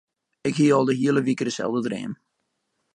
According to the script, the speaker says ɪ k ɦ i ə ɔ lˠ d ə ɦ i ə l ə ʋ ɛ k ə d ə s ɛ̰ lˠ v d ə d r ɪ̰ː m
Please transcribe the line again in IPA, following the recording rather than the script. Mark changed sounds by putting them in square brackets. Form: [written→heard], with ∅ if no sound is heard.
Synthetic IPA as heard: ɪ k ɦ i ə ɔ lˠ d ə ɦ i ə l ə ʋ [ɛ→i] k ə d ə s ɛ̰ lˠ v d ə d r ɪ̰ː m